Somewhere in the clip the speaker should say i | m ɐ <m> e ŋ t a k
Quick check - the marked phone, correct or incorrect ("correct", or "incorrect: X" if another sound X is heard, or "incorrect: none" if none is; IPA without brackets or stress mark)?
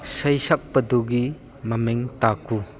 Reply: correct